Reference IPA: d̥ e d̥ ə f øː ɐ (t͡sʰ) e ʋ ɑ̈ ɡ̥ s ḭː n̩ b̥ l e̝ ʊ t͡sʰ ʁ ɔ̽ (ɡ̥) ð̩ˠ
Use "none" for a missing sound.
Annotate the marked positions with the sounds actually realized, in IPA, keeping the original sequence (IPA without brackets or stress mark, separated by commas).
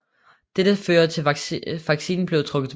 t͡sʰ, ɡ̥